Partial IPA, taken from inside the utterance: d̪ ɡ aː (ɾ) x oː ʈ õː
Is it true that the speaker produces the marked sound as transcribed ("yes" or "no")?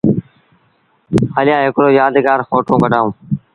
yes